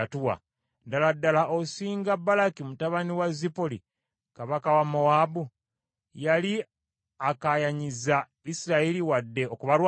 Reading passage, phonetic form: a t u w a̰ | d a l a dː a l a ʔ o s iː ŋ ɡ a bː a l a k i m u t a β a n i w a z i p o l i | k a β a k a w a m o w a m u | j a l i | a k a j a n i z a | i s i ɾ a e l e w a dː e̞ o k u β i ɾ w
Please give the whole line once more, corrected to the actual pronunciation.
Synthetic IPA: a t u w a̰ | d a l a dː a l a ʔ o s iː ŋ ɡ a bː a l a k i m u t a β a n i w a z i p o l i | k a β a k a w a m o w a b u | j a l i | a k a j a ɲ i z a | i s i ɾ a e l i w a dː e̞ o k u β a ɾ w